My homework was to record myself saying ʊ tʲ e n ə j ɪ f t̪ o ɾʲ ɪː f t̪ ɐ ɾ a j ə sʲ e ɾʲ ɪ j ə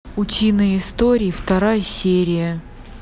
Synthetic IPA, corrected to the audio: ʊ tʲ i n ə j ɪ s t̪ o ɾʲ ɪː f t̪ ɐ ɾ a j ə sʲ e ɾʲ ɪ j ə

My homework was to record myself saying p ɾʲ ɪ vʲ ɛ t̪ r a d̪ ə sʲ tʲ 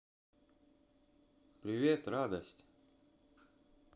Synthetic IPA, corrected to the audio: p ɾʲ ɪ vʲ e t̪ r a d̪ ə sʲ tʲ

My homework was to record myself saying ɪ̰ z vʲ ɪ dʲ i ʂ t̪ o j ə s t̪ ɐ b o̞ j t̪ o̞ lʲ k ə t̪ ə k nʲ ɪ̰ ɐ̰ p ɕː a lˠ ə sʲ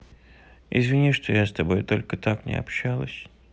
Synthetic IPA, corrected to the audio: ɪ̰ z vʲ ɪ nʲ i ʂ t̪ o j a s t̪ ɐ b o̞ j t̪ o̞ lʲ k ə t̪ a k nʲ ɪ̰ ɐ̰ p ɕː a lˠ ə sʲ

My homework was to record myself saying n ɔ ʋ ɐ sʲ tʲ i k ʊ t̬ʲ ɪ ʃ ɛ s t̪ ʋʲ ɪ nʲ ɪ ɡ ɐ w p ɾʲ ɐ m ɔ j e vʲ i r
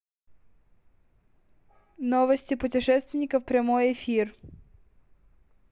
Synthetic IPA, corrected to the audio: n ɔ ʋ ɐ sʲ tʲ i p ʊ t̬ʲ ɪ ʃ ɛ s t̪ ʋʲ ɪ nʲ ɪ k ɐ w p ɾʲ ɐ m ɔ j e fʲ i r

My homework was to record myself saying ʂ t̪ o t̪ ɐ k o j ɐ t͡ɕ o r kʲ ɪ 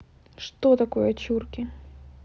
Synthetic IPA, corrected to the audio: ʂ t̪ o t̪ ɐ k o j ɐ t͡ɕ u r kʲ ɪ

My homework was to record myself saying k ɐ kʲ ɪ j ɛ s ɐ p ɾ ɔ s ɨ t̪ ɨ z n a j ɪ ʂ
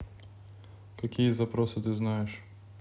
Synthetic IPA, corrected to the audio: k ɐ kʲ i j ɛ z ɐ p ɾ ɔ s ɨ t̪ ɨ z n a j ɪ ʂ

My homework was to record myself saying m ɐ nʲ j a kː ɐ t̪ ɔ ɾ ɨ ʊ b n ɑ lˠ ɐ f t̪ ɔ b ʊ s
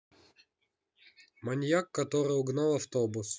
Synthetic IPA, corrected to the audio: m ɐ nʲ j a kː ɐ t̪ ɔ ɾ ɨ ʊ ɡ n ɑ lˠ ɐ f t̪ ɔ b ʊ s

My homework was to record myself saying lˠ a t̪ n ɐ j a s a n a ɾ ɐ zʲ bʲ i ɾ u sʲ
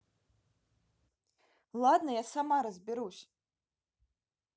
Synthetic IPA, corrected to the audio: lˠ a d̪ n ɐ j a s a m a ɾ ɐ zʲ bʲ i ɾ u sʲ

